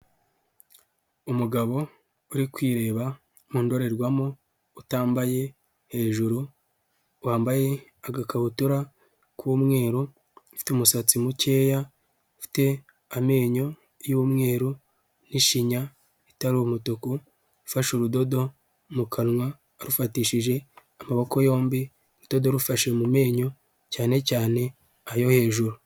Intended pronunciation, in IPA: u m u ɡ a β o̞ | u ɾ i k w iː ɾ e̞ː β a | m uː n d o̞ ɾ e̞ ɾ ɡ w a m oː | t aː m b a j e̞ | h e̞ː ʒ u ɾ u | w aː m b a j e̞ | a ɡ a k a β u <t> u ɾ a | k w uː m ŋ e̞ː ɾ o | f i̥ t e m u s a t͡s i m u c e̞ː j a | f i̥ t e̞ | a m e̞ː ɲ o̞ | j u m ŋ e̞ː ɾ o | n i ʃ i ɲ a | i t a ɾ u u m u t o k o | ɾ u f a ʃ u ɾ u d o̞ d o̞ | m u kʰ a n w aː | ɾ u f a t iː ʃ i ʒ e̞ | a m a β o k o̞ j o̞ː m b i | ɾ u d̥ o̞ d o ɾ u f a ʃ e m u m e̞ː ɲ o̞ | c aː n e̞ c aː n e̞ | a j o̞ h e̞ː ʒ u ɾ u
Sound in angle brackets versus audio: correct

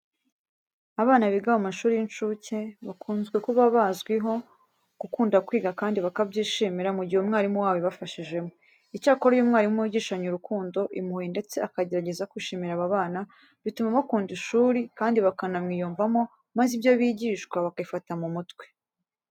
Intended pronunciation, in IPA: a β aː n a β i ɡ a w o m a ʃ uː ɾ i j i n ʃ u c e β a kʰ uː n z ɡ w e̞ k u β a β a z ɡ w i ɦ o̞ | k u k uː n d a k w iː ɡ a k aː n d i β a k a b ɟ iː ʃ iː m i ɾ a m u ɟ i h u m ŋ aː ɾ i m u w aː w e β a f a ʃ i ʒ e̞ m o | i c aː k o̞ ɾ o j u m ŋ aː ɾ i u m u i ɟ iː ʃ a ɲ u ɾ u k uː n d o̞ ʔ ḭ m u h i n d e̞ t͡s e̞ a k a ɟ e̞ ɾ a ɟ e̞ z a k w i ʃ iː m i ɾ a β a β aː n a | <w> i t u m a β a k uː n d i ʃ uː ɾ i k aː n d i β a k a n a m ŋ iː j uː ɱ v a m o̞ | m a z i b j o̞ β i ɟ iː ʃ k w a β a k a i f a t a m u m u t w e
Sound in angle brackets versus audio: incorrect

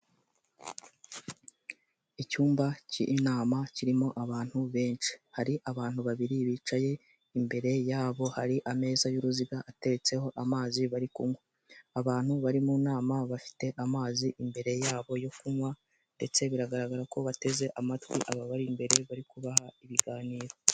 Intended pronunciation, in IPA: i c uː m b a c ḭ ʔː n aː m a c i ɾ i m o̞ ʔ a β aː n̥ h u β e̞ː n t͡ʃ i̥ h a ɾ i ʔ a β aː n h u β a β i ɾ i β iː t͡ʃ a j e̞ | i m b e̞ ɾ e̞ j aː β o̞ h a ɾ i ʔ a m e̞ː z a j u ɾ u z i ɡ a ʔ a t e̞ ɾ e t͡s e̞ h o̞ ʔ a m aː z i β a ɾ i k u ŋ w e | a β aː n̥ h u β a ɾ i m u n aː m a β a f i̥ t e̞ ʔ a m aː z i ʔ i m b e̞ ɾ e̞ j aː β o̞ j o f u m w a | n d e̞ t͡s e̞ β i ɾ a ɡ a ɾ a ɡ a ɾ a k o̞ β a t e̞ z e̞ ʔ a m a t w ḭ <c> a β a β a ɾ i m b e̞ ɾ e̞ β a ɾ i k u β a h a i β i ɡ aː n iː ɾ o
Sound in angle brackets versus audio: incorrect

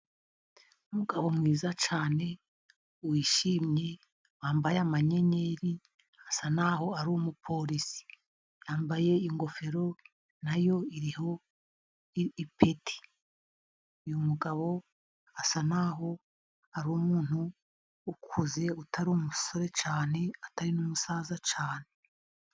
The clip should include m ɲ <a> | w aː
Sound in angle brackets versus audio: incorrect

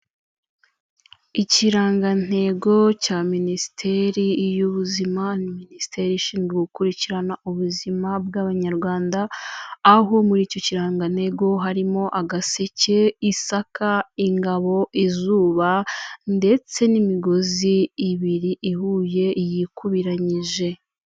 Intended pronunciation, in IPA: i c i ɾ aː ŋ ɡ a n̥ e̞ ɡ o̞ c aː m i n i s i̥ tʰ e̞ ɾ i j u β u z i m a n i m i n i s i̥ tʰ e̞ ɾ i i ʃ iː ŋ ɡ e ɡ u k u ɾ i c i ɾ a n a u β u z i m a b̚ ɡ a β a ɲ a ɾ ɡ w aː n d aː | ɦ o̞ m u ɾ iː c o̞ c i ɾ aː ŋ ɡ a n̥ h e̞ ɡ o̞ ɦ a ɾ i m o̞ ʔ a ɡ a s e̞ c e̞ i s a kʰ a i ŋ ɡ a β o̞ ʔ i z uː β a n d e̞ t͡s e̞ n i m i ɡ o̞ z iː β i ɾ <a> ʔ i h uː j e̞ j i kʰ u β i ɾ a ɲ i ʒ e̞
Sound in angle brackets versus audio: incorrect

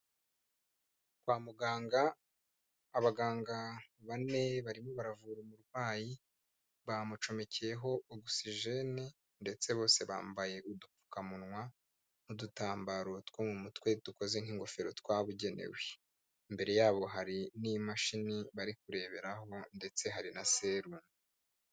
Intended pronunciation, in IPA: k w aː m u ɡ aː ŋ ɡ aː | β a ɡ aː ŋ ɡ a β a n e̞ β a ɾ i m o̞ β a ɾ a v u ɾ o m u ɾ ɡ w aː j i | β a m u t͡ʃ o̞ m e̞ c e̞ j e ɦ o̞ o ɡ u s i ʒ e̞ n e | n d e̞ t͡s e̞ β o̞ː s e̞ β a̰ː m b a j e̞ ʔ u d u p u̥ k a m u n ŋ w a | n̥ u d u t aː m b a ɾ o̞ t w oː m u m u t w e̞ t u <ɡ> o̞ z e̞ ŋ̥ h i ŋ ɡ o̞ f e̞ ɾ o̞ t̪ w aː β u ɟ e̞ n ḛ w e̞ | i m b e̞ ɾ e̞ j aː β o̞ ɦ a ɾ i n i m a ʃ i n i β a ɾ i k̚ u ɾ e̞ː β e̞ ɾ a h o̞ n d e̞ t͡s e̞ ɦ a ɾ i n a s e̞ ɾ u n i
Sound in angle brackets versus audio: incorrect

